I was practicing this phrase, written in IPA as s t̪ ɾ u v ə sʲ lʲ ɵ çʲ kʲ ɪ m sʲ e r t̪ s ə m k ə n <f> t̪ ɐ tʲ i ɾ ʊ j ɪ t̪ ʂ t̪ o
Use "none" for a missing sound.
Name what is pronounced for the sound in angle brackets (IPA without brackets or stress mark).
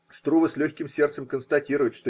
s